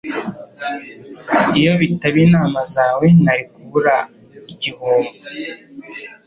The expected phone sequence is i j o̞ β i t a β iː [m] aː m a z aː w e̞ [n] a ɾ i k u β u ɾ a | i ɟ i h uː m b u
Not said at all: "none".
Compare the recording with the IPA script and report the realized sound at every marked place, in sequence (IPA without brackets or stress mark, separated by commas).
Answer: n, n